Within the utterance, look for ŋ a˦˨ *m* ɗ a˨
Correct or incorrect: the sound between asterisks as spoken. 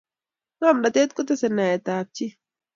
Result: correct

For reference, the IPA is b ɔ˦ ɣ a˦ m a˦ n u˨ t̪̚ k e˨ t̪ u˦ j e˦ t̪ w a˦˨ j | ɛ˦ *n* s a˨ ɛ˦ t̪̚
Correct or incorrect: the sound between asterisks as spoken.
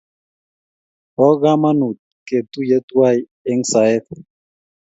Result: incorrect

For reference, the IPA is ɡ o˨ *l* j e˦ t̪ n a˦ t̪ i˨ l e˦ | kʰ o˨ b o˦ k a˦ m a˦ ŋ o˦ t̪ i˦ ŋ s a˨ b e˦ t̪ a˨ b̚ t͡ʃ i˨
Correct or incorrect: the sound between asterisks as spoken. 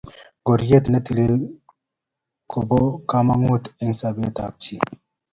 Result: incorrect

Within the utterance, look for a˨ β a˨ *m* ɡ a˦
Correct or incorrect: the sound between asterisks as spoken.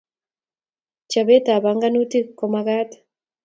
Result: incorrect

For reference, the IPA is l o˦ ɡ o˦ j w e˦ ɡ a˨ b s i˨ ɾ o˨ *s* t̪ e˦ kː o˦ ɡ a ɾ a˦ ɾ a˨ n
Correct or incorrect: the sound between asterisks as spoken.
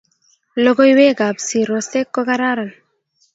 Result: correct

